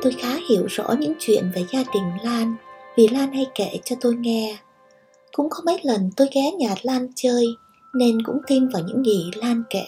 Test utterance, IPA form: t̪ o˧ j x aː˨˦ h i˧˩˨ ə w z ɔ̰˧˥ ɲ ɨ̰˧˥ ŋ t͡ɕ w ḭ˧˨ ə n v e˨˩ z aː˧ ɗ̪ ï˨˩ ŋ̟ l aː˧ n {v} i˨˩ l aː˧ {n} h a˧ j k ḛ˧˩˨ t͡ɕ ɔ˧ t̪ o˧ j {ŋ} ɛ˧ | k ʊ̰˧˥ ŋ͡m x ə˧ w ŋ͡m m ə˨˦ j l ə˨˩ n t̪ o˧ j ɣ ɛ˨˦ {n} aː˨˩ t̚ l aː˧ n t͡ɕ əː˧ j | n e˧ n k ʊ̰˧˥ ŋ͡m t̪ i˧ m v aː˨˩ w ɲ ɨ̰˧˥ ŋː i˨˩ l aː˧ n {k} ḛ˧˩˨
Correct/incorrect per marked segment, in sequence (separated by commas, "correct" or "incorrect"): correct, correct, correct, incorrect, correct